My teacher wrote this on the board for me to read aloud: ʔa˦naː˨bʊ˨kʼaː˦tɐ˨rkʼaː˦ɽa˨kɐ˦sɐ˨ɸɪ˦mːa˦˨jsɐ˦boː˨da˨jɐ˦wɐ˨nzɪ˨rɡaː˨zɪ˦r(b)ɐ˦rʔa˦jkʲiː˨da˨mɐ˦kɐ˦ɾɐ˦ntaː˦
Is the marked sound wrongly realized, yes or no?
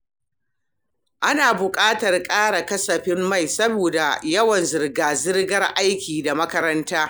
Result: yes